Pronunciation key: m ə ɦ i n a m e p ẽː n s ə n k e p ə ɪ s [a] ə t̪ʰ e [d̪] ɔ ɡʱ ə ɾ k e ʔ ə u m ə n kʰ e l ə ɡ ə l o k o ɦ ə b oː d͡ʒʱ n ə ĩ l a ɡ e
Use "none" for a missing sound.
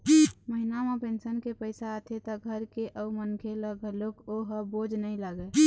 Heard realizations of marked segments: a, t̪

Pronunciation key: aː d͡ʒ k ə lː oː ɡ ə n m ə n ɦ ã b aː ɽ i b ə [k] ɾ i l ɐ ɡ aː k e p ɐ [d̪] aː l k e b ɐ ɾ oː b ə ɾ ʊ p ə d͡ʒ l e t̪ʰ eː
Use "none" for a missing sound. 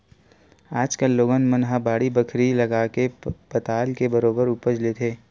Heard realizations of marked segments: kʰ, t̪

